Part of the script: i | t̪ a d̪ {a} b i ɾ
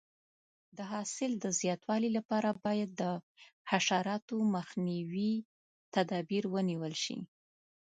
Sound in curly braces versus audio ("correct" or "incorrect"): incorrect